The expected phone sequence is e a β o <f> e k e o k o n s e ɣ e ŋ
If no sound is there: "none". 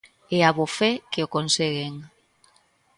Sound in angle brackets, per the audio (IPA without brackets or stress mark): f